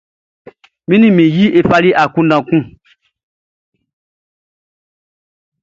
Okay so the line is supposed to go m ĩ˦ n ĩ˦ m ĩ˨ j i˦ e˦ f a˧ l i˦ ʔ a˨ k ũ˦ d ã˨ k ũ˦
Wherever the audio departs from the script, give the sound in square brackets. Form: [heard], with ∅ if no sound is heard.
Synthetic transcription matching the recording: m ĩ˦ n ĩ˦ m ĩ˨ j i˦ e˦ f a˧ l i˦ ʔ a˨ k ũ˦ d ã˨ k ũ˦

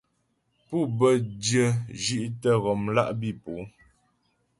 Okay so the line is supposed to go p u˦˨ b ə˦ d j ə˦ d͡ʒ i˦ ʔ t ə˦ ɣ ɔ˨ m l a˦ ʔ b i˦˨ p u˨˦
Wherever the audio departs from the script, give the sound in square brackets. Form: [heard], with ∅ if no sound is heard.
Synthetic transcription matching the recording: p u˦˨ b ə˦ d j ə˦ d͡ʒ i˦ ʔ t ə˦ ɣ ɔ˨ m l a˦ ʔ b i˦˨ p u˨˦

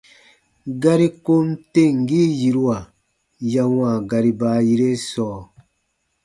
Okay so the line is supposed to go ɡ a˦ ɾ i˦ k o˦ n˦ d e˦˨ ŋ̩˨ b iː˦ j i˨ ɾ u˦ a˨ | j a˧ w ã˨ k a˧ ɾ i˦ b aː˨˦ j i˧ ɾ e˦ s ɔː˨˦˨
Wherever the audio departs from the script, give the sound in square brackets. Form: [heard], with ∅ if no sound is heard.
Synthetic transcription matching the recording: ɡ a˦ ɾ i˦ k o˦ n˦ [t] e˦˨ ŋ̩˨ [ɡ] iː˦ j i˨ ɾ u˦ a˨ | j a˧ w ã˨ [ɡ] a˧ ɾ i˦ b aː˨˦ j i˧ ɾ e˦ s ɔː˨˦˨

